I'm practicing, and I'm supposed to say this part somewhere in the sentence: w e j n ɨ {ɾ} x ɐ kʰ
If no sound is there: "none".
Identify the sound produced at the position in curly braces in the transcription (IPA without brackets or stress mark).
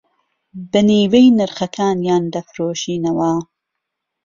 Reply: ɾ